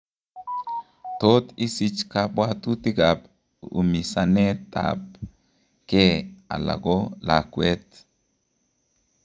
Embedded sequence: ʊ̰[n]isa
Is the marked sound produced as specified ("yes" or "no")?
no